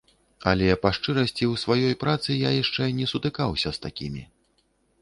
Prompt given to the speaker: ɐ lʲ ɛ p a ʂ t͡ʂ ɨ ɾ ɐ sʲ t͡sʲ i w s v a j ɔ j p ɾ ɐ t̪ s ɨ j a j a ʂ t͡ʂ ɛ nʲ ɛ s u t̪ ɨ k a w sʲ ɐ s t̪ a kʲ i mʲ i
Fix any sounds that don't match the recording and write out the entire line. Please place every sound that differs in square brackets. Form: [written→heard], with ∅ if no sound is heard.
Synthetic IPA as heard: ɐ lʲ ɛ p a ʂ t͡ʂ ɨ ɾ ɐ sʲ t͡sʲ i w s v a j ɔ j p ɾ [ɐ→a] t̪ s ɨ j a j a ʂ t͡ʂ ɛ nʲ ɛ s u t̪ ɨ k a w sʲ ɐ s t̪ a kʲ i mʲ i